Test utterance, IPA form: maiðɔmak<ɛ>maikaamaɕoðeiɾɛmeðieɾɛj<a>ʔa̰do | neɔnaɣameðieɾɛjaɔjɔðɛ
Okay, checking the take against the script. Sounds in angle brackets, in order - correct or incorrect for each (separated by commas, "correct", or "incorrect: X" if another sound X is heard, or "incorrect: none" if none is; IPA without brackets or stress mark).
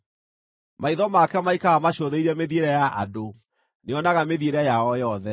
correct, correct